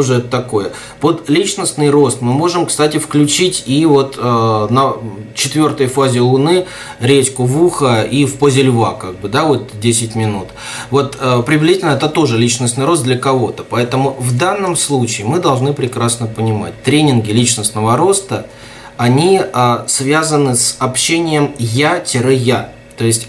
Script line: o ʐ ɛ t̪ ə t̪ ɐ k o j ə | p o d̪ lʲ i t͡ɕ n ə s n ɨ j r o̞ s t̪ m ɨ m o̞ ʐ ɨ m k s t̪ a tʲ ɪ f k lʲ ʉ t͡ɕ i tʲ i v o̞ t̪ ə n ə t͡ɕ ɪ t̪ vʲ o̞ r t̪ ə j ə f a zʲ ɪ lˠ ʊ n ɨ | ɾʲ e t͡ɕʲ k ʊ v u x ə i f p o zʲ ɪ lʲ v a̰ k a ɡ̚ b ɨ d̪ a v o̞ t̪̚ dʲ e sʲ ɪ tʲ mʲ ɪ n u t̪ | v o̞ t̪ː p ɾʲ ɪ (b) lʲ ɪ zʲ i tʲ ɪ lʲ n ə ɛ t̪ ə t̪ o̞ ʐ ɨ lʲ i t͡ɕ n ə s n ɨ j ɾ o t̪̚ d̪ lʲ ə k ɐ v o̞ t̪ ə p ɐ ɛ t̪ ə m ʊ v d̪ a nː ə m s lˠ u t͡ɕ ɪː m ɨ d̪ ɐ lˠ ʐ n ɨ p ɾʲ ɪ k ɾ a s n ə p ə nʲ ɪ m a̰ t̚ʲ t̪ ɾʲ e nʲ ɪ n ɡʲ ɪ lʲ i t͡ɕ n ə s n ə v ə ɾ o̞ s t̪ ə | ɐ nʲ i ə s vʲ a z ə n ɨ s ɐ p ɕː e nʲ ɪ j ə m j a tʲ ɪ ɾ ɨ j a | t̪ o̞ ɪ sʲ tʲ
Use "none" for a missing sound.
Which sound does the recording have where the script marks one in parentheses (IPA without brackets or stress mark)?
v